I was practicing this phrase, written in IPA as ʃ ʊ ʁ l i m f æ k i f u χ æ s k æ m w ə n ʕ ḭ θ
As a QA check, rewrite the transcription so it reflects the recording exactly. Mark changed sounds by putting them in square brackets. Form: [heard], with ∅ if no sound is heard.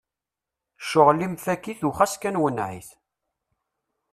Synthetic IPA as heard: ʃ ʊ ʁ l i m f æ k i [θ] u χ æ s k æ [n] w ə n ʕ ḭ θ